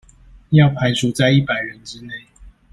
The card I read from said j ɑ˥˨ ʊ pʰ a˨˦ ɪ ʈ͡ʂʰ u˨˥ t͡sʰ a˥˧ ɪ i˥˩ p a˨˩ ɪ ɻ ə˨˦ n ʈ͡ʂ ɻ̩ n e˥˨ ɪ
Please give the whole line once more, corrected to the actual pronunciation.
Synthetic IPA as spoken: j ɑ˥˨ ʊ pʰ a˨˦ ɪ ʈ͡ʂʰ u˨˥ t͡s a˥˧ ɪ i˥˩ p a˨˩ ɪ ɻ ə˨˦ n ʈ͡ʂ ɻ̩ n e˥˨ ɪ